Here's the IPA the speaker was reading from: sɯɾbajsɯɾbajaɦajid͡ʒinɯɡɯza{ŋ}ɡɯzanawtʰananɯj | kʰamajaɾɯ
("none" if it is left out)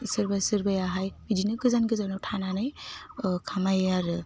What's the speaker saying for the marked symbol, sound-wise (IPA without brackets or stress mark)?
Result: n